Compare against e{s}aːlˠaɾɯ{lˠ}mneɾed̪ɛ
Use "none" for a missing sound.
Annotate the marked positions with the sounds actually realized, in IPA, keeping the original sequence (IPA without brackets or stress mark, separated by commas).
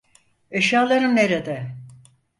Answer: ʃ, none